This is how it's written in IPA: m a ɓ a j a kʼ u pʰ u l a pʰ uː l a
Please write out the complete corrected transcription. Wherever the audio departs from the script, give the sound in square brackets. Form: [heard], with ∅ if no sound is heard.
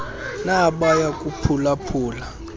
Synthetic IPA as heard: [n] a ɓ a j a kʼ u pʰ u l a pʰ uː l a

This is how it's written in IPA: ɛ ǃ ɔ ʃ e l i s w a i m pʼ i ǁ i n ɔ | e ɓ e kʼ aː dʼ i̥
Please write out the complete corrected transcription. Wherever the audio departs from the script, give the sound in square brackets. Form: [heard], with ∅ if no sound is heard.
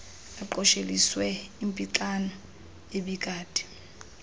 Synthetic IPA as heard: [a] ǃ ɔ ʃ e l i s w [ɛ] i m pʼ i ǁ [a] n ɔ | e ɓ [i] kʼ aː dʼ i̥

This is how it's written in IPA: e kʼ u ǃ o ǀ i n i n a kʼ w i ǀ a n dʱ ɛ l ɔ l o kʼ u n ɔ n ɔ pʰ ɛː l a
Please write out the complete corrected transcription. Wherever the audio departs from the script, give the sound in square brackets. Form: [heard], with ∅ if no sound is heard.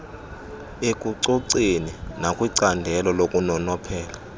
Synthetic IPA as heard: e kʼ u [ǀ] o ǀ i n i n a kʼ w i ǀ a n dʱ ɛ l ɔ l o kʼ u n ɔ n ɔ pʰ ɛː l a

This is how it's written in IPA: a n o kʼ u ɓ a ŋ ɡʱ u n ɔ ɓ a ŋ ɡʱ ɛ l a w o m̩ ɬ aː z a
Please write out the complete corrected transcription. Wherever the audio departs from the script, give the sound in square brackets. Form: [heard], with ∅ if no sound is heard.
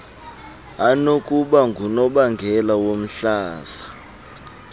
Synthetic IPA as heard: a n o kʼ u ɓ a ŋ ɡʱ u n ɔ ɓ a ŋ ɡʱ ɛ l a w o m̩ ɬ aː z a

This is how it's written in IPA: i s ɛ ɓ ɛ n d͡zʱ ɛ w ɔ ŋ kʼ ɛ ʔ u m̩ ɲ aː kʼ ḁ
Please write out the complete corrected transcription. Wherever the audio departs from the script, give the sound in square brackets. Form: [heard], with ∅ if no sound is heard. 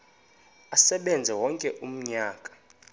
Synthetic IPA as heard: [a] s ɛ ɓ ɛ n d͡zʱ ɛ w ɔ ŋ kʼ ɛ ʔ u m̩ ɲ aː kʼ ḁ

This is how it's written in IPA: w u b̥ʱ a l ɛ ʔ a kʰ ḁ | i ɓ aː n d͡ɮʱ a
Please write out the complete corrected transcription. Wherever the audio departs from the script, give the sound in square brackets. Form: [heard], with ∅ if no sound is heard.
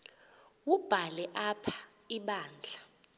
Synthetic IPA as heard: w u b̥ʱ a l ɛ ʔ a [pʰ] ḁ | i ɓ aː n d͡ɮʱ a

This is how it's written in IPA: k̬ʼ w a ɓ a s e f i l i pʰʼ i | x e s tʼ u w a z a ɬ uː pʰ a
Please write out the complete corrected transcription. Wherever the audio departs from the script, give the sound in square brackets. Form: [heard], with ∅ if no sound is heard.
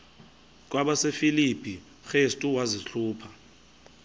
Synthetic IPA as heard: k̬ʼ w a ɓ a s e f i l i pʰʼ i | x e s tʼ u w a z [i] ɬ uː pʰ a

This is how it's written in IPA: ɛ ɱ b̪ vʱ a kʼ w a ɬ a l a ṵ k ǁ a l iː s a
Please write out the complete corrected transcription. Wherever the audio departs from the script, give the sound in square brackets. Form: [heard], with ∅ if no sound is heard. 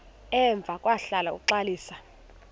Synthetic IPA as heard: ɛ ɱ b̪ vʱ a kʼ w a ɬ a l a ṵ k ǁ a l iː s a

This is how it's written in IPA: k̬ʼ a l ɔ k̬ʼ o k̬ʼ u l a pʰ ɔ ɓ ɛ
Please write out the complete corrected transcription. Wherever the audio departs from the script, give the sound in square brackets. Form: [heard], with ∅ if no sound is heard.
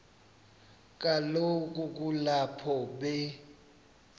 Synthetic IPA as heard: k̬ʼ a l [o] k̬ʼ [u] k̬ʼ u l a pʰ ɔ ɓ ɛ

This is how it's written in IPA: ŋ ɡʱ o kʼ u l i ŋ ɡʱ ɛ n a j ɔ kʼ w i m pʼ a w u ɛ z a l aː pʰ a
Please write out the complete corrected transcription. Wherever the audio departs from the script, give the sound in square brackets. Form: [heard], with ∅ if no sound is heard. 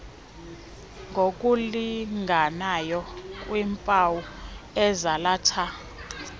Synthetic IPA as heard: ŋ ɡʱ o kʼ u l i ŋ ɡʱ [a] n a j ɔ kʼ w i m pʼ a w u ɛ z a l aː [tʰ] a

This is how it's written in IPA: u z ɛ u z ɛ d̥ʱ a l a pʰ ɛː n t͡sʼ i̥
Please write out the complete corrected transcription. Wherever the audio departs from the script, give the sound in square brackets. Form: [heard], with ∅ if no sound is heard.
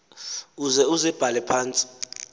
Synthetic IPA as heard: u z ɛ u z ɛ [b̥ʱ] a l [ɛ] pʰ [aː] n t͡sʼ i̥

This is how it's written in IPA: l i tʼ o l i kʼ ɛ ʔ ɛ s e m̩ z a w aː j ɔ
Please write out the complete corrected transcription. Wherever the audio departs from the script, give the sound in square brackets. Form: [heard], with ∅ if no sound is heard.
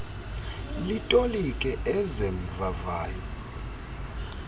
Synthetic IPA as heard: l i tʼ o l i kʼ ɛ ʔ ɛ [z] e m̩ [v] a [v] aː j ɔ

